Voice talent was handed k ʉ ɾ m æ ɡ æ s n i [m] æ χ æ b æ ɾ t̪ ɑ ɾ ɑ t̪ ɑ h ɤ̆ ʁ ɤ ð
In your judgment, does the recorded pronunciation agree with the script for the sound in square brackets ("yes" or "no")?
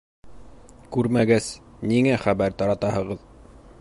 no